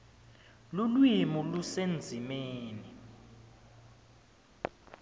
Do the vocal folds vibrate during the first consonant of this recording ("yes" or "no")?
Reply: yes